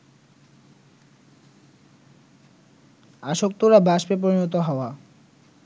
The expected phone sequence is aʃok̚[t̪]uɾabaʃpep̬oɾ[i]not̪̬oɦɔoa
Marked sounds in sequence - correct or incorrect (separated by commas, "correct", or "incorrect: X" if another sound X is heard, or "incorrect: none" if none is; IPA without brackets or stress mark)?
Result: correct, correct